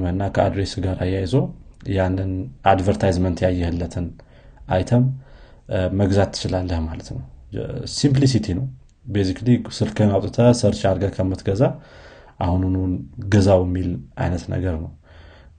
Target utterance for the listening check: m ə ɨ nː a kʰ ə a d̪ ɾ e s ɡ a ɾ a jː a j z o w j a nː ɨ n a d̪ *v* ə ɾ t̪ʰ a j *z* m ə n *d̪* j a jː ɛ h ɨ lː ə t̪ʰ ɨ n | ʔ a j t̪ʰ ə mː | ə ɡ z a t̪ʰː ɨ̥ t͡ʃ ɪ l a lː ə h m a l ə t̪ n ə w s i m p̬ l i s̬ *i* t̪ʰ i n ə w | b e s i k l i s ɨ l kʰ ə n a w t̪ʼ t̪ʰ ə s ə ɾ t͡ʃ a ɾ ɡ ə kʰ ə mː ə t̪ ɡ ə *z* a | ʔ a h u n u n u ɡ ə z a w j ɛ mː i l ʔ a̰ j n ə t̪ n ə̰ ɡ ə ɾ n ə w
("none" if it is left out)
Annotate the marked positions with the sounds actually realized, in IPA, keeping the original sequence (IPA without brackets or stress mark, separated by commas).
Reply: v, z, t̪, i, z